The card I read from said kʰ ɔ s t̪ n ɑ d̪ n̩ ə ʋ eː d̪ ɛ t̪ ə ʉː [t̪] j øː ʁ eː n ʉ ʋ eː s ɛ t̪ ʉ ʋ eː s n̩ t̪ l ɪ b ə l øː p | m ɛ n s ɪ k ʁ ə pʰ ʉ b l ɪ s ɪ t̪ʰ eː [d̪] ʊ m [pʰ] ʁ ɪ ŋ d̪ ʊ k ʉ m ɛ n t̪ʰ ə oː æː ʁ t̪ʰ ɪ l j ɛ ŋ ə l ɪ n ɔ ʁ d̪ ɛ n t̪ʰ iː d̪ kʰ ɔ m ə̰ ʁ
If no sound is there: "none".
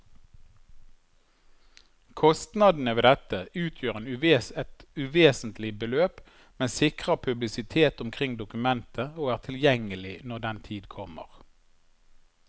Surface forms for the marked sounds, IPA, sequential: t̪ʰ, t̪, kʰ

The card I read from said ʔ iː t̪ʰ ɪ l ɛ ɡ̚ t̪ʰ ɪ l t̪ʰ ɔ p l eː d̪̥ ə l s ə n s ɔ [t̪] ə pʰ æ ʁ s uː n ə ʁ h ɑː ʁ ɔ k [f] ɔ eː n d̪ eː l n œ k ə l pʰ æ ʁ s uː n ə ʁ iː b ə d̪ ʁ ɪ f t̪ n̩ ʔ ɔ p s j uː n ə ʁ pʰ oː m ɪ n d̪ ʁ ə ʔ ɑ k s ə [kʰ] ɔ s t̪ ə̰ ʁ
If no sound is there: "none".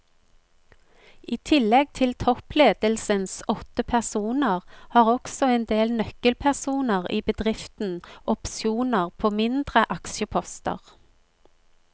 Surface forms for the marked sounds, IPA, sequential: t̪, s, pʰ

